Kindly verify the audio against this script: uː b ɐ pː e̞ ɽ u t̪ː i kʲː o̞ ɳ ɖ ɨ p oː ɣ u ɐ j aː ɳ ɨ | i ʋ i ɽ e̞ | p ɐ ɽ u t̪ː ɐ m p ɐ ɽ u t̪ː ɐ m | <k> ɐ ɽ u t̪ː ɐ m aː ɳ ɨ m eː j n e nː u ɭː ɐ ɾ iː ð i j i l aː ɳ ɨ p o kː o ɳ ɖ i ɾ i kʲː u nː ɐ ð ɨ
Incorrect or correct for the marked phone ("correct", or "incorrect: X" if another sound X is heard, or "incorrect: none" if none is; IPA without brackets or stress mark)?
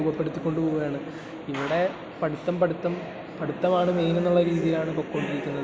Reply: incorrect: p